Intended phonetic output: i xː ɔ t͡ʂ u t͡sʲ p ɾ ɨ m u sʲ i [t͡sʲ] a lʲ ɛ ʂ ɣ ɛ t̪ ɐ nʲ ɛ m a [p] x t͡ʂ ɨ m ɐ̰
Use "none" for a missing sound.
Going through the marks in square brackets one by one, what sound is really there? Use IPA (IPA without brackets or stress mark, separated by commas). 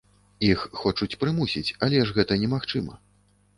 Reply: t͡sʲ, none